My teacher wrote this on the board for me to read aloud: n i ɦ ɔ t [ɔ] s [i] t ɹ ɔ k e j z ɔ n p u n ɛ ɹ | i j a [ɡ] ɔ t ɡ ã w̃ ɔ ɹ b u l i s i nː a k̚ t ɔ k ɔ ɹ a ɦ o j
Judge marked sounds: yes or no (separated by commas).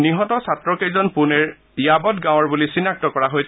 yes, no, no